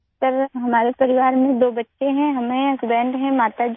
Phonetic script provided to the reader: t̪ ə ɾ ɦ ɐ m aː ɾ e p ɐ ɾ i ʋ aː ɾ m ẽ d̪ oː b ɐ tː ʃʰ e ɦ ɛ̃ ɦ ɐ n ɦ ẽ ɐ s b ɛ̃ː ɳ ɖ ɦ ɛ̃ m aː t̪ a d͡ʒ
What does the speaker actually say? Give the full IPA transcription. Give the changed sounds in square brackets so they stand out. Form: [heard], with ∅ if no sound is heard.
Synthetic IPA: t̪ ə ɾ ɦ ɐ m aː ɾ e p ɐ ɾ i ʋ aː ɾ m ẽ d̪ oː b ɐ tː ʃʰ e ɦ ɛ̃ ɦ ɐ [m] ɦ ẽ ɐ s b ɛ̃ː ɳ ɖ ɦ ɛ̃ m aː t̪ a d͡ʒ